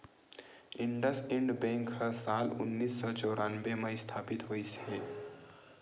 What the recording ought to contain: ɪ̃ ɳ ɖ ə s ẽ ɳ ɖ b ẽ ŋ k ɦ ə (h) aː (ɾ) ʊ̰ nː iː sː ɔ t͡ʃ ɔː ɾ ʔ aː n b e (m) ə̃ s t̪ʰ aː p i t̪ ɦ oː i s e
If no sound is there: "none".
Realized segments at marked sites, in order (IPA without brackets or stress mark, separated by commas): s, l, m